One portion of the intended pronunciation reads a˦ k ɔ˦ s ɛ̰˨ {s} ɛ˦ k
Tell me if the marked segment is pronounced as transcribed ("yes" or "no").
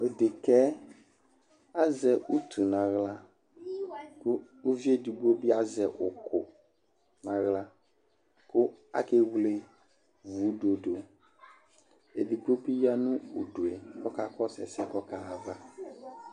yes